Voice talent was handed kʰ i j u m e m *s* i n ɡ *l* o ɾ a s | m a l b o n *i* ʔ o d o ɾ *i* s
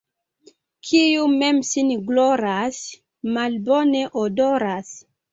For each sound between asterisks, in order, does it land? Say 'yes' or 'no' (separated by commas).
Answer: yes, yes, no, no